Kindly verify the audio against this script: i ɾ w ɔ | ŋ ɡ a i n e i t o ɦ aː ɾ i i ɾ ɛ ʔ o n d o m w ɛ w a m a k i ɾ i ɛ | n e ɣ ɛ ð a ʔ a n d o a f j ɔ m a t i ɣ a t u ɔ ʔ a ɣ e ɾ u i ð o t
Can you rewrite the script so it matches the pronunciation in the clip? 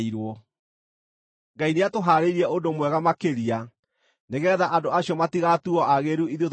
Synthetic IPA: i ɾ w ɔ | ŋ ɡ a i n e a t o ɦ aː ɾ e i ɾ ɛ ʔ o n d o m w ɛ ɣ a m a k e ɾ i a | n e ɣ ɛ ð a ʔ a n d o a ɕ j ɔ m a t i ɣ a t u ɔ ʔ a ɣ e ɾ u i ð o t